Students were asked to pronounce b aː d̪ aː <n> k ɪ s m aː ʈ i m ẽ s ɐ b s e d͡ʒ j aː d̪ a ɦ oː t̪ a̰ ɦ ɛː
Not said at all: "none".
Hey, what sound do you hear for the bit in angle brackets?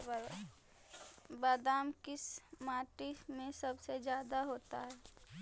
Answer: m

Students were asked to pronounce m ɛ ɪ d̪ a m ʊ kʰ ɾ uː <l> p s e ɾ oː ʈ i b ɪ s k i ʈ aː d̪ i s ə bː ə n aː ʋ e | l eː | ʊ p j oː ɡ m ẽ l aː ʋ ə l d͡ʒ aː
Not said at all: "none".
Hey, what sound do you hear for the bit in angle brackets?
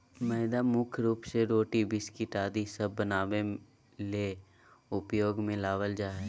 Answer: none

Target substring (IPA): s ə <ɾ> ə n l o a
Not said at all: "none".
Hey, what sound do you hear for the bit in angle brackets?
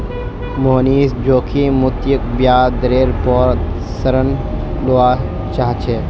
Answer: ɾ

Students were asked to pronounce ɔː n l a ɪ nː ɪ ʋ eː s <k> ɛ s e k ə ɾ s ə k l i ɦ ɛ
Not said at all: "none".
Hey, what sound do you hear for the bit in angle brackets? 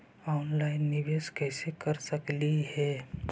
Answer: k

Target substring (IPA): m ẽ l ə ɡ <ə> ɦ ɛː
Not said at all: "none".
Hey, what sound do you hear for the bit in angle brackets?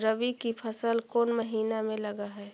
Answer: a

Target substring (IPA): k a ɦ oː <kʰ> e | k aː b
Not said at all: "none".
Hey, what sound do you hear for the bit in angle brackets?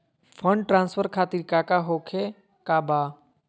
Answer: kʰ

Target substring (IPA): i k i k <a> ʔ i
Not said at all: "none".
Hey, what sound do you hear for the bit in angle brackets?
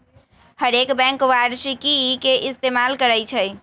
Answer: e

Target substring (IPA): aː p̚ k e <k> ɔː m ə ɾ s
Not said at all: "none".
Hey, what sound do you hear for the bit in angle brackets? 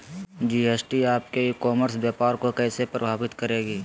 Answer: k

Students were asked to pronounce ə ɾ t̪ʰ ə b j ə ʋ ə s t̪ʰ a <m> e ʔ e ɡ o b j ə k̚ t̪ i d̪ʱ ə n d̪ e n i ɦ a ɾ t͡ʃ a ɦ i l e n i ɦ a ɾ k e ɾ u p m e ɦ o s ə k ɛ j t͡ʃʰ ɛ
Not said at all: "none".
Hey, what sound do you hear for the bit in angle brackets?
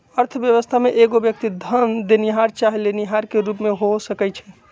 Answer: m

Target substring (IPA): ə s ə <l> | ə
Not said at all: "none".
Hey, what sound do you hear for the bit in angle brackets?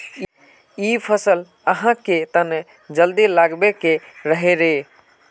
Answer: l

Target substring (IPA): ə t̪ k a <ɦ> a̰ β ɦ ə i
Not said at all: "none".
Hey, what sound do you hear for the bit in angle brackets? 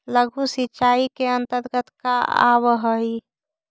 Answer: none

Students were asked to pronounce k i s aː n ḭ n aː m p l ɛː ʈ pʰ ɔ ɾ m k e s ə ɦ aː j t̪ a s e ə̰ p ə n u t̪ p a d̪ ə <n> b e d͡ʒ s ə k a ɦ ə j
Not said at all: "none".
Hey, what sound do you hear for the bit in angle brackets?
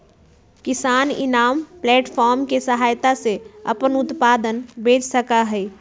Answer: n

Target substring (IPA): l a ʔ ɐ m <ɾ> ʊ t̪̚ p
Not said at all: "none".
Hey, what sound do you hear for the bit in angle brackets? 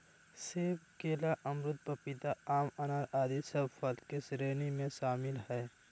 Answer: ɾ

